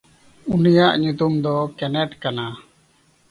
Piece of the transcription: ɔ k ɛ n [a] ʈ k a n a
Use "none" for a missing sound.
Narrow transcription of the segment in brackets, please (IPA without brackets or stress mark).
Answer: ɛ